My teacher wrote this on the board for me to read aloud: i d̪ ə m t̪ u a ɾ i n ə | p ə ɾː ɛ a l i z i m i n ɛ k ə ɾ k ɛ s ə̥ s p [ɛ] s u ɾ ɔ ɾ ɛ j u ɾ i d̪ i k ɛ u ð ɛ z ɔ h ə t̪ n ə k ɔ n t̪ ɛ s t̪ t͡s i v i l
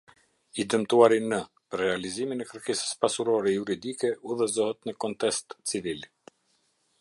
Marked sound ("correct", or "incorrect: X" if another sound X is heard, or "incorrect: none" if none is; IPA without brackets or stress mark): incorrect: a